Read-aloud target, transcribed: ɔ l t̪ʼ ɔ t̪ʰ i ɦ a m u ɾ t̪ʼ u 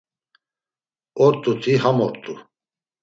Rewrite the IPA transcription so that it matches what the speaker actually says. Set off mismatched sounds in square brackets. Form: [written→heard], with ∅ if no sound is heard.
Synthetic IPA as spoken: ɔ [l→ɾ] t̪ʼ [ɔ→u] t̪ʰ i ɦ a m [u→ɔ] ɾ t̪ʼ u